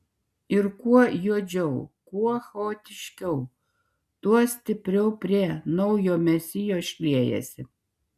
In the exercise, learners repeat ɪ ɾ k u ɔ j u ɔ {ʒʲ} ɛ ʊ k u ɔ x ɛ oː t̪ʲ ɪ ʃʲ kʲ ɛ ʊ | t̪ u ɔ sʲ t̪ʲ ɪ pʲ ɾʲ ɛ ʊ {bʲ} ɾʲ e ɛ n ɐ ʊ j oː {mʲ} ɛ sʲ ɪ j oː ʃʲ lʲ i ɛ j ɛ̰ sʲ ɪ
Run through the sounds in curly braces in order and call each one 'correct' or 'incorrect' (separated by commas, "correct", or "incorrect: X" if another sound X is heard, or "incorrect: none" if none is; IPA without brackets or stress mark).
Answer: incorrect: d͡ʒʲ, incorrect: pʲ, correct